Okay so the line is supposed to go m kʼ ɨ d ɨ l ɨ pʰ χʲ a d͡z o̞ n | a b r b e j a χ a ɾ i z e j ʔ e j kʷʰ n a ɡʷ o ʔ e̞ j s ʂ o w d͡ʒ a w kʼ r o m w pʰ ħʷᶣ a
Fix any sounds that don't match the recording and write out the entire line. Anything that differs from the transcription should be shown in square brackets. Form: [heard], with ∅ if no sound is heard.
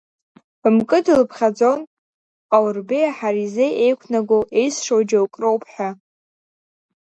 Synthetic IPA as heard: m kʼ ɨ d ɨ l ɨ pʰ χʲ a d͡z o̞ n | a [w] r b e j a [ħ] a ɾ i z e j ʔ e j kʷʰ n a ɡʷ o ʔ e̞ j s ʂ o w d͡ʒ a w kʼ r o [∅] w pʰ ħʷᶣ a